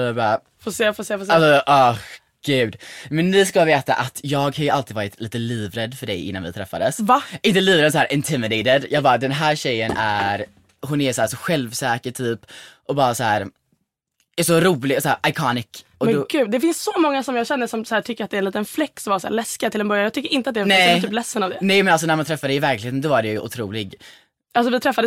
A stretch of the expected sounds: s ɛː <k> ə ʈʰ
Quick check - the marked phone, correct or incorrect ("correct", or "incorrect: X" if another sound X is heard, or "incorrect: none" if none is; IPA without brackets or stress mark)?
correct